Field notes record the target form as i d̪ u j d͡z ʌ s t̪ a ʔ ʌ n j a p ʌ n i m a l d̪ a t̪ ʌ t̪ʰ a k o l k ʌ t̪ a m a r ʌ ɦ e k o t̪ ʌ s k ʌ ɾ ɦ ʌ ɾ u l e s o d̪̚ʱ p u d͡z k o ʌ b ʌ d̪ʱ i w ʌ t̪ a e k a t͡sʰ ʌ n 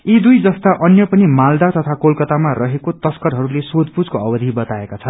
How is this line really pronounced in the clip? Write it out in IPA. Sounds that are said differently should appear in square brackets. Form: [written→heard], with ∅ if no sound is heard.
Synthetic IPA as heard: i d̪ u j d͡z ʌ s t̪ a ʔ ʌ n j [a→ʌ] p ʌ n i m a l d̪ a t̪ ʌ t̪ʰ a k o l k ʌ t̪ a m a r ʌ ɦ e k o t̪ ʌ s k ʌ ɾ ɦ ʌ ɾ u l e s o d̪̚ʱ p u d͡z k o ʌ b ʌ d̪ʱ i [w→b] ʌ t̪ a e k a t͡sʰ ʌ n